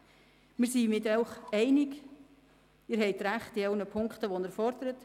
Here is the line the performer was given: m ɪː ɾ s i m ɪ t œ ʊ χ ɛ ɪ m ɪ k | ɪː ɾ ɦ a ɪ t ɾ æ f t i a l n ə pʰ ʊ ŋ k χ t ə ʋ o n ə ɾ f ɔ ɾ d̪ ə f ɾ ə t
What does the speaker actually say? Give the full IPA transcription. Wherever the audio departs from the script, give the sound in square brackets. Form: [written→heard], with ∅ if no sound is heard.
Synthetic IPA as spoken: m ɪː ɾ s i m ɪ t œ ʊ χ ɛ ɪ [m→n] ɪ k | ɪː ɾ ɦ [a→ɛ] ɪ t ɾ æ [f→χ] t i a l n ə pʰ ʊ ŋ k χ t ə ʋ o n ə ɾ f ɔ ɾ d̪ ə [f→∅] ɾ ə t